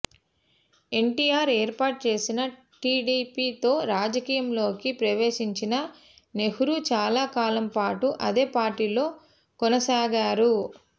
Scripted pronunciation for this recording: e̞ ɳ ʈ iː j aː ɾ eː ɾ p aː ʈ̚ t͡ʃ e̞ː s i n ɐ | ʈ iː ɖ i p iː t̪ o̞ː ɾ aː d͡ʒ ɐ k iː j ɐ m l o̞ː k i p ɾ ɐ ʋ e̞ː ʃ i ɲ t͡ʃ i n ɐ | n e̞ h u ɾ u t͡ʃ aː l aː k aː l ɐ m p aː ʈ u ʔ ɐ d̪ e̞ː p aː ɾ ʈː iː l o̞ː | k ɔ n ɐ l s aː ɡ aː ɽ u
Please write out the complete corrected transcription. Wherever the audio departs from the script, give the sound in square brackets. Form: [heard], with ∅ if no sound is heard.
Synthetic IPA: e̞ ɳ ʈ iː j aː ɾ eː ɾ p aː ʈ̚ t͡ʃ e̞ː s i n ɐ | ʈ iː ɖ i p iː t̪ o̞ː ɾ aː d͡ʒ ɐ k iː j ɐ m l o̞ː k i p ɾ ɐ ʋ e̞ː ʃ i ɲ t͡ʃ i n ɐ | n e̞ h u ɾ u t͡ʃ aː l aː k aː l ɐ m p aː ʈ u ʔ ɐ d̪ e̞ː p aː ɾ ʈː iː l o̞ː | k ɔ n ɐ [∅] s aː ɡ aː [ɾ] u

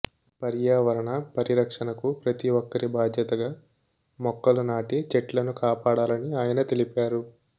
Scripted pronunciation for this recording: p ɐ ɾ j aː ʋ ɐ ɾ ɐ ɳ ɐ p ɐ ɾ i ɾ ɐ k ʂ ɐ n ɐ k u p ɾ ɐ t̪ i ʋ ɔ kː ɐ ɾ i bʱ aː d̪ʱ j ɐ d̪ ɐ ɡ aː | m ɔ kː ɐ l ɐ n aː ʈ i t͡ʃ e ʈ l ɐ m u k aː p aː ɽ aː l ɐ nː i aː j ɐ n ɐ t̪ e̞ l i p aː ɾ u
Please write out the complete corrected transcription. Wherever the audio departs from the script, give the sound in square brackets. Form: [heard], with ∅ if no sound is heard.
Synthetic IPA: p ɐ ɾ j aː ʋ ɐ ɾ ɐ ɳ ɐ p ɐ ɾ i ɾ ɐ k ʂ ɐ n ɐ k u p ɾ ɐ t̪ i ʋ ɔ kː ɐ ɾ i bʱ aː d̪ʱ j ɐ [t̪] ɐ ɡ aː | m ɔ kː ɐ l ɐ n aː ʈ i t͡ʃ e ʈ l ɐ [n] u k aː p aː ɽ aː l ɐ [n] i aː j ɐ n ɐ t̪ e̞ l i p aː ɾ u

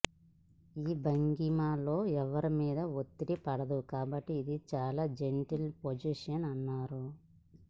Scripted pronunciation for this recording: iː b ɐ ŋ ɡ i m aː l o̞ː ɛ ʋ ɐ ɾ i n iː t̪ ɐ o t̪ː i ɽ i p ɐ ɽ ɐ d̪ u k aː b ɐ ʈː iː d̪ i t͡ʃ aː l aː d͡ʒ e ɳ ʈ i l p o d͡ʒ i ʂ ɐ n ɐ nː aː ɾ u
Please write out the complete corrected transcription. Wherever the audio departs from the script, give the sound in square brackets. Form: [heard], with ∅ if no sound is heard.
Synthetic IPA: iː b ɐ ŋ ɡ i m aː l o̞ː ɛ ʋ ɐ ɾ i [m] iː [d̪] ɐ o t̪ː i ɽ i p ɐ ɽ ɐ d̪ u k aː b ɐ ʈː iː d̪ i t͡ʃ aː l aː d͡ʒ e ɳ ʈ i l p o d͡ʒ i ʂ ɐ n ɐ nː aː ɾ u

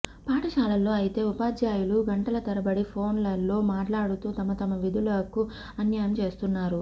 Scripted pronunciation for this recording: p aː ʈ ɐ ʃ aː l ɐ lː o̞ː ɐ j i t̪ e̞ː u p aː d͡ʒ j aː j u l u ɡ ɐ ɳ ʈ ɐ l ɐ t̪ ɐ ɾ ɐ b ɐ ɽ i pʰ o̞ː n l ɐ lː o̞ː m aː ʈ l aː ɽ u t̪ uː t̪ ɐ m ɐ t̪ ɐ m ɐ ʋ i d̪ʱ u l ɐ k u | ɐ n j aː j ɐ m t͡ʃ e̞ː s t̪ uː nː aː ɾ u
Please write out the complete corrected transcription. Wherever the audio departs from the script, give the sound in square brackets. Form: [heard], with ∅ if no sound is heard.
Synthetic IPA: p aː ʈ ɐ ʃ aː l ɐ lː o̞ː ɐ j i t̪ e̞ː u p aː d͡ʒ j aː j u l u ɡ ɐ ɳ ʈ ɐ l ɐ t̪ ɐ ɾ ɐ b ɐ ɽ i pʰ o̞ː n l ɐ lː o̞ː m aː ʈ l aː ɽ u t̪ uː t̪ ɐ m ɐ t̪ ɐ m ɐ ʋ i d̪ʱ u l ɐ k u | ɐ n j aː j ɐ m t͡ʃ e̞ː s t̪ [u] nː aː ɾ u

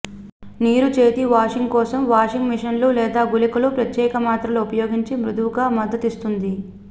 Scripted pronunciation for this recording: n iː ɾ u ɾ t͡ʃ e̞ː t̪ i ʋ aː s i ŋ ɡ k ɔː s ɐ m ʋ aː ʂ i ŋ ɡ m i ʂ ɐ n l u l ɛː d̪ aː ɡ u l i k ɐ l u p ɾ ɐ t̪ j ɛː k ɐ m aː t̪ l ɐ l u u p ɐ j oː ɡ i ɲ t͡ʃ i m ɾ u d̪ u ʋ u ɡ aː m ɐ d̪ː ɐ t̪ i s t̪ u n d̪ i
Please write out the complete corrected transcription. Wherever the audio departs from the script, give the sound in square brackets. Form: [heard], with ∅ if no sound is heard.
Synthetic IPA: n iː ɾ u [∅] t͡ʃ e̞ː t̪ i ʋ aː [ʂ] i ŋ ɡ k ɔː s ɐ m ʋ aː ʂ i ŋ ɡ m i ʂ ɐ n l u l ɛː d̪ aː ɡ u l i k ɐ l u p ɾ ɐ t̪ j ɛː k ɐ m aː t̪ [ɾ] ɐ l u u p ɐ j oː ɡ i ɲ t͡ʃ i m ɾ u d̪ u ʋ u ɡ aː m ɐ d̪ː ɐ t̪ i s t̪ u n d̪ i

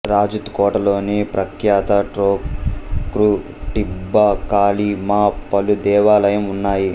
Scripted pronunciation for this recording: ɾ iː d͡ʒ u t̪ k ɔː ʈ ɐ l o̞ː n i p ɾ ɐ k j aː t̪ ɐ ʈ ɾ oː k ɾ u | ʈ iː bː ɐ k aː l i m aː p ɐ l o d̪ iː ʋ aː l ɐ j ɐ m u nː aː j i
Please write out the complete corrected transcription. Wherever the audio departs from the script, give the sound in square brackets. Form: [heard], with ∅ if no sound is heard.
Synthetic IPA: ɾ [aː] d͡ʒ u t̪ k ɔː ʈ ɐ l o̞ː n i p ɾ ɐ k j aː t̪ ɐ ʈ ɾ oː k ɾ u | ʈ [i] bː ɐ k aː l i m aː p ɐ l [u] d̪ [ɛː] ʋ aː l ɐ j ɐ m u nː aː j i

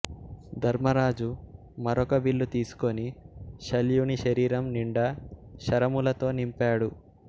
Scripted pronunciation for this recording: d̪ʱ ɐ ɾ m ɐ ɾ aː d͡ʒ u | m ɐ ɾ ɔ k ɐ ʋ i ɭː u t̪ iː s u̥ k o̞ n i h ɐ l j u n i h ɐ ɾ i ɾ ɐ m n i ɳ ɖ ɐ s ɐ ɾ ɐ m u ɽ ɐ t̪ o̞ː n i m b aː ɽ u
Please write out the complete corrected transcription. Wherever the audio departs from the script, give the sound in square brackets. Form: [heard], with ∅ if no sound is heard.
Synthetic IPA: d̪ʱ ɐ ɾ m ɐ ɾ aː d͡ʒ u | m ɐ ɾ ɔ k ɐ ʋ i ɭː u t̪ iː s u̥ k o̞ n i [ʃ] ɐ l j u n i [ʃ] ɐ ɾ [iː] ɾ ɐ m n i ɳ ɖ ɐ [ʃ] ɐ ɾ ɐ m u [l] ɐ t̪ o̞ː n i m [p] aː ɽ u

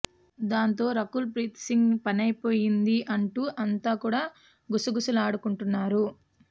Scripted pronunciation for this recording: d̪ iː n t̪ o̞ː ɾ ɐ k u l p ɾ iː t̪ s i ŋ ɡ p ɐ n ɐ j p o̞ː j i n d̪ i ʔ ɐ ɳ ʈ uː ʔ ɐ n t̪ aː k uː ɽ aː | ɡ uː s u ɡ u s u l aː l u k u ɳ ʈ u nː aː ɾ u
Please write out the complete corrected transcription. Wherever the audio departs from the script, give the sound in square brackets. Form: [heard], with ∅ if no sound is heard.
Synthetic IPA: d̪ [aː] n t̪ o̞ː ɾ ɐ k u l p ɾ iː t̪ s i ŋ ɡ p ɐ n ɐ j p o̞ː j i n d̪ i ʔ ɐ ɳ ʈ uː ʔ ɐ n t̪ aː k uː ɽ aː | ɡ [u] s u ɡ u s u l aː [ɽ] u k u ɳ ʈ u nː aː ɾ u

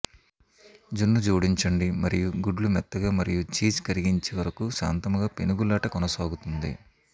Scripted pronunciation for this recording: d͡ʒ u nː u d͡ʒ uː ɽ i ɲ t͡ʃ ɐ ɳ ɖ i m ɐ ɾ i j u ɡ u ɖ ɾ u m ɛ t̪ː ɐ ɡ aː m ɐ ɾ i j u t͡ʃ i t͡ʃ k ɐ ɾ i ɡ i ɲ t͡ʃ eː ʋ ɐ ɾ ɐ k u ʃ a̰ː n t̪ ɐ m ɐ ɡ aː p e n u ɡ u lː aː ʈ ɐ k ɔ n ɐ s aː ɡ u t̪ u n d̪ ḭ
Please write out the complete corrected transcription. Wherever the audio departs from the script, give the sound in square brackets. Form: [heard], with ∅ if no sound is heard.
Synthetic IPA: d͡ʒ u nː u d͡ʒ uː ɽ i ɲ t͡ʃ ɐ ɳ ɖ i m ɐ ɾ i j u ɡ u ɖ [l] u m ɛ t̪ː ɐ ɡ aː m ɐ ɾ i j u t͡ʃ [iː] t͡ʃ k ɐ ɾ i ɡ i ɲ t͡ʃ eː ʋ ɐ ɾ ɐ k u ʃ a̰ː n t̪ ɐ m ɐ ɡ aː p e n u ɡ u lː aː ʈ ɐ k ɔ n ɐ s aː ɡ u t̪ u n d̪ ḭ

